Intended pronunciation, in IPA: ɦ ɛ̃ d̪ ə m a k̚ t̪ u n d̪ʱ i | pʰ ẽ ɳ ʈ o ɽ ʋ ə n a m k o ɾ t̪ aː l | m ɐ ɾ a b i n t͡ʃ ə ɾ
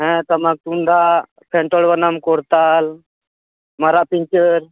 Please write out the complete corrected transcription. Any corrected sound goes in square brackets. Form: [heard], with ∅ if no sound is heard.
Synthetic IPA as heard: ɦ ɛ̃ [t̪] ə m a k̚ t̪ u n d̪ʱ [a] | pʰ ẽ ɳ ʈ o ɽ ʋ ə n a m k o ɾ t̪ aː l | m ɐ ɾ a [p] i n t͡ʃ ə ɾ